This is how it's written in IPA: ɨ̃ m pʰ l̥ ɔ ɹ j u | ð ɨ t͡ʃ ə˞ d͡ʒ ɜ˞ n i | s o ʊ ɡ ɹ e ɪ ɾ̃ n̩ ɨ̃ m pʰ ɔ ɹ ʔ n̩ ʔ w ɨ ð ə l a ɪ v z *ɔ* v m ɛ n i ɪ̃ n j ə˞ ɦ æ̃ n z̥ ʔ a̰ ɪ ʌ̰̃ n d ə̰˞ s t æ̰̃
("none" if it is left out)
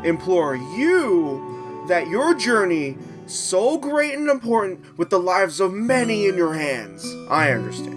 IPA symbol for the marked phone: ʌ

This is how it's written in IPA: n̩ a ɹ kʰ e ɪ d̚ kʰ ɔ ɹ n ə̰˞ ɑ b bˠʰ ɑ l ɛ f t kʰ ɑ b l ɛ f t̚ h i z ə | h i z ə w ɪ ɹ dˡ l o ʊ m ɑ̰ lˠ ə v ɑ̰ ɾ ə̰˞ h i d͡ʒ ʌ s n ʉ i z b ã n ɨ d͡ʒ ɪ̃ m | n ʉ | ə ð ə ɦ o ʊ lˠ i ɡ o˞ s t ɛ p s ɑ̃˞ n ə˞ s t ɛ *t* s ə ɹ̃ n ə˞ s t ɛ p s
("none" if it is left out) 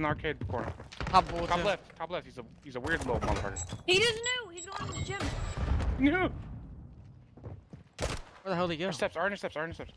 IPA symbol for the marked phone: p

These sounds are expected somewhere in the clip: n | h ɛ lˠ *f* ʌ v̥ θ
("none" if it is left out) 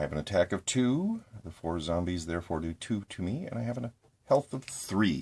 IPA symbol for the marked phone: θ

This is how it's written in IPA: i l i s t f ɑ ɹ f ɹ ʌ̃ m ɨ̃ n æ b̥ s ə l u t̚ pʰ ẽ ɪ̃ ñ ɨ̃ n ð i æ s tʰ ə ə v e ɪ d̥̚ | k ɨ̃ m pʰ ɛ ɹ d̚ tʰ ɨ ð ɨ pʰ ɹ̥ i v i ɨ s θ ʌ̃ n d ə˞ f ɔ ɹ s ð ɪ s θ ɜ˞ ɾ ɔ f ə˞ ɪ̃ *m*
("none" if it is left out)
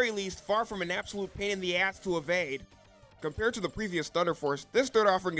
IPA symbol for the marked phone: ŋ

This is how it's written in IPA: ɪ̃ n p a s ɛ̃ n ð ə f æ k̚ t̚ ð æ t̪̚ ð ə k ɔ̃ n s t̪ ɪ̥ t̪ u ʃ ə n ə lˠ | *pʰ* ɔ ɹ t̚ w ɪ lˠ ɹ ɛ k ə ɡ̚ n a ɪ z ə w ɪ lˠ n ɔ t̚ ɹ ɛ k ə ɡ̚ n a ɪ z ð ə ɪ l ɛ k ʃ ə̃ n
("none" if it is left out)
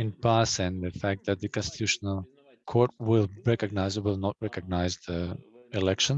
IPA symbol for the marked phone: kʰ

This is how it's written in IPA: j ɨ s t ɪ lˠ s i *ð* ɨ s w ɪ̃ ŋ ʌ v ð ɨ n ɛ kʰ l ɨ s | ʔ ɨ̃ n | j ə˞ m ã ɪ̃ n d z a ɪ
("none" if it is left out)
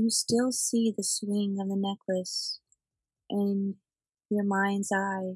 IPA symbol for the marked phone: ð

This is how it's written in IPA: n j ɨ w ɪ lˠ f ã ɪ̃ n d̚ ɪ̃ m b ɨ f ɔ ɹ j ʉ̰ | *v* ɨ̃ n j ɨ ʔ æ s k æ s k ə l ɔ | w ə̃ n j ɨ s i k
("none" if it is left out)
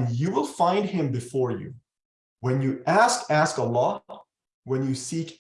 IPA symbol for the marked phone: w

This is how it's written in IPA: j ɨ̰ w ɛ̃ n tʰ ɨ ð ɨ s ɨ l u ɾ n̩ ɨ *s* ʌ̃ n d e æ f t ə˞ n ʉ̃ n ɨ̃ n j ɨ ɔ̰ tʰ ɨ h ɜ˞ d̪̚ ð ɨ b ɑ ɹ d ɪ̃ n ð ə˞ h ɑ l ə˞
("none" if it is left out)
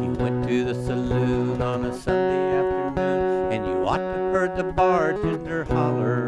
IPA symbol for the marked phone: s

